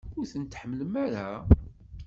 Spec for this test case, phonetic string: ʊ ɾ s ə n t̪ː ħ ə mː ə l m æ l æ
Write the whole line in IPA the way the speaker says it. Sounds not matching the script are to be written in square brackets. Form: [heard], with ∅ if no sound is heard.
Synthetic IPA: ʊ ɾ [θ] ə n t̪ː ħ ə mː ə l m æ [ɾ] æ